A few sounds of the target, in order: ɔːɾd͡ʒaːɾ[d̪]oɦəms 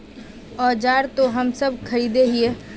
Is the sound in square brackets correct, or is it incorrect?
incorrect